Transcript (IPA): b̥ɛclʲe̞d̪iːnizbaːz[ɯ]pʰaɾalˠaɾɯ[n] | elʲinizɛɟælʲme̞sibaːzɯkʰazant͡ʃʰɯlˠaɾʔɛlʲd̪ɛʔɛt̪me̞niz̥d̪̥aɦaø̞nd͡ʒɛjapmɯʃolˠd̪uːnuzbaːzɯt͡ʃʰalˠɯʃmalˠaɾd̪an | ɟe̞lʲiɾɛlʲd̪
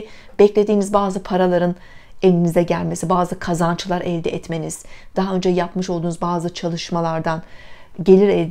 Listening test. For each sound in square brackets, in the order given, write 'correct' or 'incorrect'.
correct, correct

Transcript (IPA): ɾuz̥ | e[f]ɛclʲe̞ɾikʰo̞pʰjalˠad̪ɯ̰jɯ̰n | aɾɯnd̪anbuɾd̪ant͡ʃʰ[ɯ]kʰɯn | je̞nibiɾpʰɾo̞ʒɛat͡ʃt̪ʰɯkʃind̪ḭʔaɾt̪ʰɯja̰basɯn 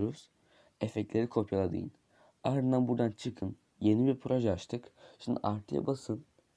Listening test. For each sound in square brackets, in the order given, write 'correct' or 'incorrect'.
correct, correct

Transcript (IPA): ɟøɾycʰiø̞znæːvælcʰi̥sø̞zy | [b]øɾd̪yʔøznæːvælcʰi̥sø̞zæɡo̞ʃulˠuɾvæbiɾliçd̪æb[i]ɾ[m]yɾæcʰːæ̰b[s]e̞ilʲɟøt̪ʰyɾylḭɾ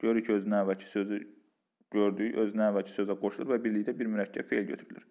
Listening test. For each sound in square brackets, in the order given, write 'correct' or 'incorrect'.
incorrect: ɟ, correct, correct, incorrect: f

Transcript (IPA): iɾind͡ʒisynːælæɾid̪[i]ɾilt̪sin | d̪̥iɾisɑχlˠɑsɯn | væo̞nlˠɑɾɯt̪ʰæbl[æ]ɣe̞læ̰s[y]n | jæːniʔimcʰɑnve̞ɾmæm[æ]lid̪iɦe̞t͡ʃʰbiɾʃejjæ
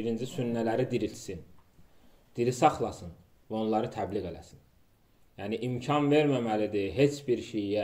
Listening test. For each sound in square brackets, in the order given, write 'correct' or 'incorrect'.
correct, incorrect: i, incorrect: i, correct

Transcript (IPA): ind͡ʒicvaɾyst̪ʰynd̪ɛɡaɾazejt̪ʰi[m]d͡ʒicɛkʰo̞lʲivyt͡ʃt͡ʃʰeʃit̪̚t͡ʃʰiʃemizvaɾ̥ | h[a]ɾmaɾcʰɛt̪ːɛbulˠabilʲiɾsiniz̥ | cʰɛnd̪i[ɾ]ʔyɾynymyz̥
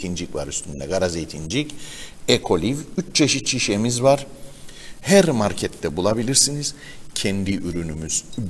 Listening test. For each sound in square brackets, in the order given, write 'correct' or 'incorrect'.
incorrect: n, incorrect: æ, incorrect: none

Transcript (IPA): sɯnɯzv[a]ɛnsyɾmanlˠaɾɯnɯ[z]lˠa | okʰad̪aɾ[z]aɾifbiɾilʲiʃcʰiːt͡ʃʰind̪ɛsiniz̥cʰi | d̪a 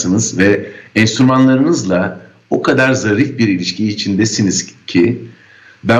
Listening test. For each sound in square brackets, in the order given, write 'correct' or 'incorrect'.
incorrect: ɛ, correct, correct

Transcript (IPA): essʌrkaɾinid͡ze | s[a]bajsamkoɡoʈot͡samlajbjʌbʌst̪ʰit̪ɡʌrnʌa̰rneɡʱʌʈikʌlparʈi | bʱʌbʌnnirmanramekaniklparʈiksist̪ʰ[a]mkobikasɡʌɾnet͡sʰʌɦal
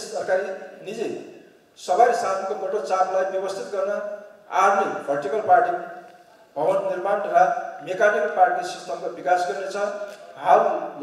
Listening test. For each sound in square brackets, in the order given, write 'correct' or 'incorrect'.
incorrect: ʌ, incorrect: ʌ

